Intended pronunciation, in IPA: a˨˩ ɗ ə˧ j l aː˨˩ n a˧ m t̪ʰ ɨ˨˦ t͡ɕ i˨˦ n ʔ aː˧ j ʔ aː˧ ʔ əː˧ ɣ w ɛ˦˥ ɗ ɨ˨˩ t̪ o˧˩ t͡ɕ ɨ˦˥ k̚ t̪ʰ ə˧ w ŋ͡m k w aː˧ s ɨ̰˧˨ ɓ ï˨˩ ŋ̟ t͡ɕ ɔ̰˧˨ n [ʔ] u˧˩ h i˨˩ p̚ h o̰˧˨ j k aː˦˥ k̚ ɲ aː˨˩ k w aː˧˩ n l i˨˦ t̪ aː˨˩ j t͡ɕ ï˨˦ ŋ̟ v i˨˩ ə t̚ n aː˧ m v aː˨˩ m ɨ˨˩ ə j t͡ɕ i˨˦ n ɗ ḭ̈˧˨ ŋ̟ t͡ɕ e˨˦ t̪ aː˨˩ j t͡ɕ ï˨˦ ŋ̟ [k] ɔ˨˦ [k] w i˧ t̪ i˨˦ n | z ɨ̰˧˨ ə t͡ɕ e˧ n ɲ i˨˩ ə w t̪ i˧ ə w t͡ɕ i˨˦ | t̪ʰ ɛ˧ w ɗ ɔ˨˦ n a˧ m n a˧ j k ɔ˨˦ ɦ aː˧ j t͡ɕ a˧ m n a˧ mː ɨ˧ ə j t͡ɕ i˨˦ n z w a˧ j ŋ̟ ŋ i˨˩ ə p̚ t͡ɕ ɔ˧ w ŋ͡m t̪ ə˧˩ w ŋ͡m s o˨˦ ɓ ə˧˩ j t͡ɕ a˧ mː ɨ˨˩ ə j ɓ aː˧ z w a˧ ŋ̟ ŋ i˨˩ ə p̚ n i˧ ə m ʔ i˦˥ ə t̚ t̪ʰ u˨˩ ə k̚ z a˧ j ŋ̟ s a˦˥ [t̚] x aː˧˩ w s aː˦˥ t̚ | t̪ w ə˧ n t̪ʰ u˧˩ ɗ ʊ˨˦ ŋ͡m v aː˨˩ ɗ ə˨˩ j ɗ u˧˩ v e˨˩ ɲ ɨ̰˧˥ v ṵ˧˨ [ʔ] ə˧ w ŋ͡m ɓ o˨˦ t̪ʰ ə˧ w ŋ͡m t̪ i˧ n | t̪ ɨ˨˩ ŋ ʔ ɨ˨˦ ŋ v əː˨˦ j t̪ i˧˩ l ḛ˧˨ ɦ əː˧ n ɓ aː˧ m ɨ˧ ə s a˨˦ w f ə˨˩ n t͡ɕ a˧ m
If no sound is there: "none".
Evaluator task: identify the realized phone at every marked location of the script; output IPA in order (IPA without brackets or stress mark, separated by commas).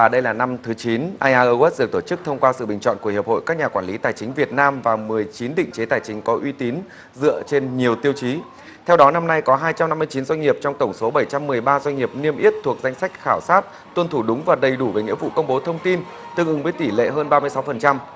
k, k, ʔ, k̚, k